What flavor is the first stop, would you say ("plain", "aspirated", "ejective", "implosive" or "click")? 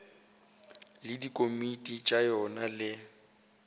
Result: plain